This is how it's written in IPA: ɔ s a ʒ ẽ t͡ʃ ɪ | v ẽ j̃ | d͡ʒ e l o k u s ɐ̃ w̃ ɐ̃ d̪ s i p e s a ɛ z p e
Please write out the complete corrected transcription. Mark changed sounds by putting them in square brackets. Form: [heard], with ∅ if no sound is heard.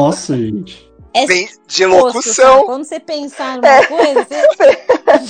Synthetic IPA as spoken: ɔ s [ɐ] ʒ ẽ t͡ʃ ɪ | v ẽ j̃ | d͡ʒ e l o k u s ɐ̃ w̃ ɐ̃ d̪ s [e] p [ẽ] s a ɛ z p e